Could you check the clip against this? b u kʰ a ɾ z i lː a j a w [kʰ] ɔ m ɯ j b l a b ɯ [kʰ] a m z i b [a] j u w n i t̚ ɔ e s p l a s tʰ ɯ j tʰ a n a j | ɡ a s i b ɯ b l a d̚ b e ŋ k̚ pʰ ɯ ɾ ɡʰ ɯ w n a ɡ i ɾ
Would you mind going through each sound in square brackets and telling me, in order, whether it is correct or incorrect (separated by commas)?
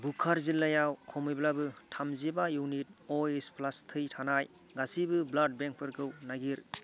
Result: correct, incorrect, correct